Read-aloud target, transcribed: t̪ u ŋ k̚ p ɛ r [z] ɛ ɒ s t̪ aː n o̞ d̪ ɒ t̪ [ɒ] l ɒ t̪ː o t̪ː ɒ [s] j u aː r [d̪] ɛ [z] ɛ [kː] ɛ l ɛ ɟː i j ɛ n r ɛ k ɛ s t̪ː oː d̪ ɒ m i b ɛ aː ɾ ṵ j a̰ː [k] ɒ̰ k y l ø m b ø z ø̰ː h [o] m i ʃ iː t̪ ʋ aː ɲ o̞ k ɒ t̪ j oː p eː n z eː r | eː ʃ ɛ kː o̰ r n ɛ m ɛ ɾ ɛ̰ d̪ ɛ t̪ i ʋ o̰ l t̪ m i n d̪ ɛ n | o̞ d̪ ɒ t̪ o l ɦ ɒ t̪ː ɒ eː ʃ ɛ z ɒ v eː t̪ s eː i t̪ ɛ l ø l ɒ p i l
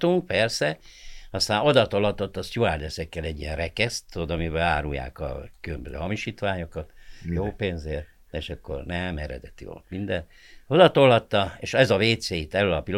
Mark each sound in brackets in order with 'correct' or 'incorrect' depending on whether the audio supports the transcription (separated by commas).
incorrect, incorrect, correct, correct, incorrect, correct, correct, incorrect